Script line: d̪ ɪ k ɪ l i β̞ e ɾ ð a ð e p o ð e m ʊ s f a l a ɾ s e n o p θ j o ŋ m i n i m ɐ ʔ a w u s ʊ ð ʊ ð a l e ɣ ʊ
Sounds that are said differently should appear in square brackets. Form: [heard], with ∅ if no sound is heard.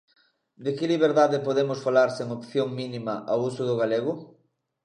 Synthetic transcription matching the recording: d̪ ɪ k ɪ l i β̞ e ɾ ð a ð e p o ð e m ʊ s f a l a ɾ s e [ŋ] o p θ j o ŋ m i n i m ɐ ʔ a w u s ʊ ð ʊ [ɣ] a l e ɣ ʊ